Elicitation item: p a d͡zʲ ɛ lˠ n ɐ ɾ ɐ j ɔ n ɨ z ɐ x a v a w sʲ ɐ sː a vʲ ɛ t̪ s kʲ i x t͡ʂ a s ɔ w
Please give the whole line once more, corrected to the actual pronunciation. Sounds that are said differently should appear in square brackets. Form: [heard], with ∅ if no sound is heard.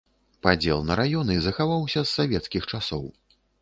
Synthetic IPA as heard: p a d͡zʲ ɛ lˠ n ɐ ɾ [a] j ɔ n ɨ z ɐ x a v a w sʲ ɐ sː a vʲ ɛ t̪ s kʲ i x t͡ʂ a s ɔ w